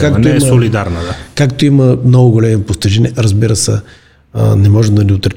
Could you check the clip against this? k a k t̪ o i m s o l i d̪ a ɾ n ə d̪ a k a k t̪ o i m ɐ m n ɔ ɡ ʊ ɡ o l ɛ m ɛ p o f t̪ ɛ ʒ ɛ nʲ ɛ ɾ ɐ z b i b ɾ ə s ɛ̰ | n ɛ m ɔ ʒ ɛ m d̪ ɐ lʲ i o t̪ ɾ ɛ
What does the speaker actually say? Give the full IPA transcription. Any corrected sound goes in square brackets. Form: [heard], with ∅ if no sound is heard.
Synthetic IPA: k a k t̪ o i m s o l i d̪ a ɾ n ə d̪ a k a k t̪ o i m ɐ m n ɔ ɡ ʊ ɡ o l ɛ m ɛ p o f t̪ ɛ ʒ ɛ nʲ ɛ ɾ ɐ z b i [∅] ɾ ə s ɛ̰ | n ɛ m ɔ ʒ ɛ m d̪ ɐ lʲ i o t̪ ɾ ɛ